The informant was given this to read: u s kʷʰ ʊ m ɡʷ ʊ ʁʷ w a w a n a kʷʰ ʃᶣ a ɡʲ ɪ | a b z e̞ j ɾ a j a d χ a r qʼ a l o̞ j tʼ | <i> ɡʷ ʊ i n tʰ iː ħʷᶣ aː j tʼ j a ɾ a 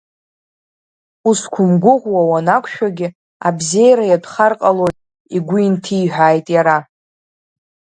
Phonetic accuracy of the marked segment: correct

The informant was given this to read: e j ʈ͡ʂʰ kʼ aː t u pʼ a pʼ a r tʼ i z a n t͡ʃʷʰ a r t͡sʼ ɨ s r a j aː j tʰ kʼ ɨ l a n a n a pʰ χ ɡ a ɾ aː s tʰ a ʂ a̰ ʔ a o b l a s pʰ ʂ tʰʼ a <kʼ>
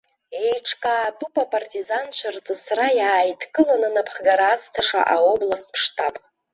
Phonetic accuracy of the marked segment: incorrect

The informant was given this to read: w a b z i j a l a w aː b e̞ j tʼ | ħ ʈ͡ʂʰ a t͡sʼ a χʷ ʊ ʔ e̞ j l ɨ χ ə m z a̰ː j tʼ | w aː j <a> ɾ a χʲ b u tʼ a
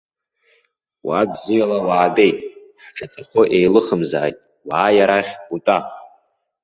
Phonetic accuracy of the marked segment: correct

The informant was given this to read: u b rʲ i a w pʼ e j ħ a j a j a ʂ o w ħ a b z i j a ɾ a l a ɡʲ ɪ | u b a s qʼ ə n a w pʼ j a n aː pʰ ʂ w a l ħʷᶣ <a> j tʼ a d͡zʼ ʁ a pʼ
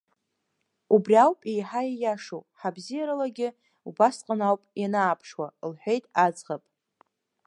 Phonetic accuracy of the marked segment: incorrect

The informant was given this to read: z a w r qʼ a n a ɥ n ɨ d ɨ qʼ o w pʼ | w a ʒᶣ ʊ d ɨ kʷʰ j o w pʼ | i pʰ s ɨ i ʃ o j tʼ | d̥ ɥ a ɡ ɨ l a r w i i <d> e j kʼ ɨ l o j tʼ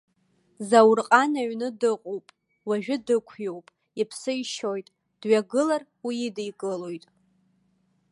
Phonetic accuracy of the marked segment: correct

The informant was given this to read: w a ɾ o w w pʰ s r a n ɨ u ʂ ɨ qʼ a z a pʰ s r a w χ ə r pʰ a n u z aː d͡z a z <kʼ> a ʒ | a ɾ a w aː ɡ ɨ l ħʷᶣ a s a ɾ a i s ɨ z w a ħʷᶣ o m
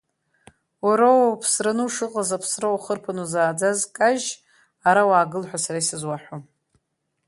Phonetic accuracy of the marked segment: correct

